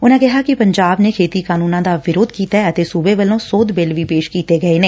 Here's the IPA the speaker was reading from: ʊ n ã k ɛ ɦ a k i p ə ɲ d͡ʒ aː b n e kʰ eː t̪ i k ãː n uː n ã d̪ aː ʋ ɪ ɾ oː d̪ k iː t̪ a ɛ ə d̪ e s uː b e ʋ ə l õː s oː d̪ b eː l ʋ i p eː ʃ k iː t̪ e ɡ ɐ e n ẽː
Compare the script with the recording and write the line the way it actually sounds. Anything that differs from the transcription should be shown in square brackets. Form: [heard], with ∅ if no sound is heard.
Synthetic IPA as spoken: ʊ n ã k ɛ ɦ a k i p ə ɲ d͡ʒ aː b n e kʰ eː t̪ i k [aː] n uː n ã d̪ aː ʋ ɪ ɾ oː d̪ k iː t̪ a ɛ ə [t̪] e s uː b e ʋ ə l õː s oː d̪ b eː l ʋ i p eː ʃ k iː t̪ e ɡ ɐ e n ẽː

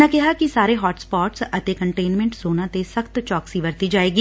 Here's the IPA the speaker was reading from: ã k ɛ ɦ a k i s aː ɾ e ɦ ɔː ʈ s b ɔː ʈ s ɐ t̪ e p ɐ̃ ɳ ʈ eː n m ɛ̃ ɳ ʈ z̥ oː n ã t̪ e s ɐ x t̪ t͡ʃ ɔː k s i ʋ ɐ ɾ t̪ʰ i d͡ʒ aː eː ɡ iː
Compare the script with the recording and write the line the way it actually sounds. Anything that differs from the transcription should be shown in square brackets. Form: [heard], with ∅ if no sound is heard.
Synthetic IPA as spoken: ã k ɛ ɦ a k i s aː ɾ e ɦ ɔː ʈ s [p] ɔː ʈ s ɐ t̪ e [k] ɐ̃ ɳ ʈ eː n m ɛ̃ ɳ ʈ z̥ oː n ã t̪ e s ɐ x t̪ t͡ʃ ɔː k s i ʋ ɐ ɾ [t̪] i d͡ʒ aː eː ɡ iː

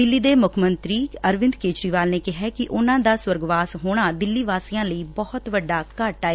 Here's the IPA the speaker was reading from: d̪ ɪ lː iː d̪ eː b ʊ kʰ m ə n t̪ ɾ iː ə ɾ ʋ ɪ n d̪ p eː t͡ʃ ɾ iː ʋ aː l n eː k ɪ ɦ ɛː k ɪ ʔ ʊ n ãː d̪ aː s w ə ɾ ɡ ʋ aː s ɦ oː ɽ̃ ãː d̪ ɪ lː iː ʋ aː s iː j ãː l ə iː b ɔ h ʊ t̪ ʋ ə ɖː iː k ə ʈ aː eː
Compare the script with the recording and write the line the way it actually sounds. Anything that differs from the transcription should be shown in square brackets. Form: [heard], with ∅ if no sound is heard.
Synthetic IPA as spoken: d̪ ɪ lː iː d̪ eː [m] ʊ kʰ m ə n t̪ ɾ iː ə ɾ ʋ ɪ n d̪ [k] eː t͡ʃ ɾ iː ʋ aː l n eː k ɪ ɦ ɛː k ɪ ʔ ʊ n ãː d̪ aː s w ə ɾ ɡ ʋ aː s ɦ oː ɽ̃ [aː] d̪ ɪ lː iː ʋ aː s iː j ãː l ə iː b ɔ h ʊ t̪ ʋ ə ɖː [aː] k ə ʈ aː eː

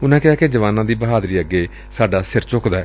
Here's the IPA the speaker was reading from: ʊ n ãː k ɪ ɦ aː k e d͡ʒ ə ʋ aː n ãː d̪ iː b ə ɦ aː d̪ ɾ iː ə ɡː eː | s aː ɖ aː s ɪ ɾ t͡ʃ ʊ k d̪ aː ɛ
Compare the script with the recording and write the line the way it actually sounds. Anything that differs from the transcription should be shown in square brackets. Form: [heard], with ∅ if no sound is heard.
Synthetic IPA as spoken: ʊ n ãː k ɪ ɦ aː k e d͡ʒ ə ʋ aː n ãː d̪ iː b ə ɦ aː d̪ ɾ iː ə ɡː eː | s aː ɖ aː s ɪ ɾ t͡ʃ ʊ k d̪ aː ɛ

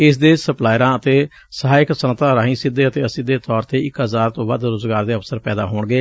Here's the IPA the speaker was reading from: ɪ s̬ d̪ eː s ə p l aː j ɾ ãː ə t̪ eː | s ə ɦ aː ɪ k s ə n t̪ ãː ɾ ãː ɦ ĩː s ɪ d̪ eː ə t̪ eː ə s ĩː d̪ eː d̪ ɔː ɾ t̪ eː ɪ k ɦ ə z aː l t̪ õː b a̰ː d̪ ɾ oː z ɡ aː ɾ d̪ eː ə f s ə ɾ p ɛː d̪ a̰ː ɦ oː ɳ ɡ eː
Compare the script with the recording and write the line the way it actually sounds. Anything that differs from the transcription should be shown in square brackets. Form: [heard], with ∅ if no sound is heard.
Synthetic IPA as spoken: ɪ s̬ d̪ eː s ə p l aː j ɾ ãː ə t̪ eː | s ə ɦ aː ɪ k s ə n t̪ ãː ɾ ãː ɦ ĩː s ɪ d̪ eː ə t̪ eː ə s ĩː d̪ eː [t̪] ɔː ɾ t̪ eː ɪ k ɦ ə z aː [ɾ] t̪ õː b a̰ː d̪ ɾ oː z ɡ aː ɾ d̪ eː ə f s ə ɾ p ɛː d̪ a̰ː ɦ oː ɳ ɡ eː

